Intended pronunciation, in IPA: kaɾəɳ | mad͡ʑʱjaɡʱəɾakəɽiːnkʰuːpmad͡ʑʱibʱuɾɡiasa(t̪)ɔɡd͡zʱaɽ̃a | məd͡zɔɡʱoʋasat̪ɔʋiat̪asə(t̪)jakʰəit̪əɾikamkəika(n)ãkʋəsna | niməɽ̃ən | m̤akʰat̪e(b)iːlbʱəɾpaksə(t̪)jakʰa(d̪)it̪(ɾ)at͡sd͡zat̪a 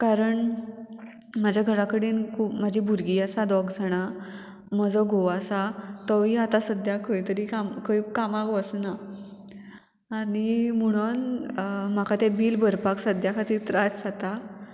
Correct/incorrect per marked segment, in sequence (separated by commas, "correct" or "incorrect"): incorrect, incorrect, incorrect, correct, incorrect, incorrect, correct